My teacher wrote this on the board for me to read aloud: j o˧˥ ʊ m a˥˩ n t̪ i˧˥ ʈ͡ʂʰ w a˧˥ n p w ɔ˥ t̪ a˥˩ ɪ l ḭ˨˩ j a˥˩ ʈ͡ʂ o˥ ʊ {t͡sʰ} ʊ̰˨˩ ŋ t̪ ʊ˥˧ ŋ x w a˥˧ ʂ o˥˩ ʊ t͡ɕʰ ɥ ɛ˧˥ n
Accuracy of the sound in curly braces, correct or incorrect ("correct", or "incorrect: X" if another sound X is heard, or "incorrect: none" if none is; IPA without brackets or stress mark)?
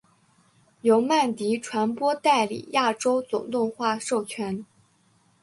incorrect: t͡s